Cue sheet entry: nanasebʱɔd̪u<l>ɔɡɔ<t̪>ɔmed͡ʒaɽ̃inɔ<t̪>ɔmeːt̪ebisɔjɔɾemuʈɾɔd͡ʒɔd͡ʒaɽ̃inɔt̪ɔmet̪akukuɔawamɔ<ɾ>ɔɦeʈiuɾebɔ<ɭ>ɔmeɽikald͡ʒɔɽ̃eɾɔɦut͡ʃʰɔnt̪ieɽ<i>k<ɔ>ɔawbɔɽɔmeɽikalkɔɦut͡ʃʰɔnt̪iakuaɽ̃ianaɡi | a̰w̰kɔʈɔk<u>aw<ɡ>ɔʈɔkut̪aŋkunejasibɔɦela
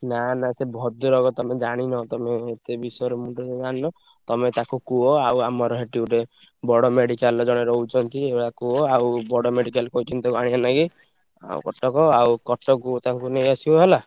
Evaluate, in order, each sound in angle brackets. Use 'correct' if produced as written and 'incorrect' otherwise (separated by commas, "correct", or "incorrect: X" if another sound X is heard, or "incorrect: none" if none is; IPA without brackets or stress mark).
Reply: incorrect: ɾ, correct, correct, correct, incorrect: ɽ, incorrect: a, incorrect: u, incorrect: ɔ, incorrect: k